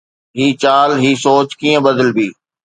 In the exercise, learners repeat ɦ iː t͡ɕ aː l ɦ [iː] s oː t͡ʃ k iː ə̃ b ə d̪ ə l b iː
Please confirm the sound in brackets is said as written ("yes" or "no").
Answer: yes